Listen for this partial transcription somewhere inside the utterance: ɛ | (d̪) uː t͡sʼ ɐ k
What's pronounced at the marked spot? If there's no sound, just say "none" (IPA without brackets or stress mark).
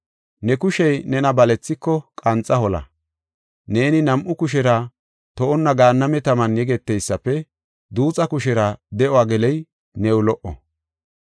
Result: d̪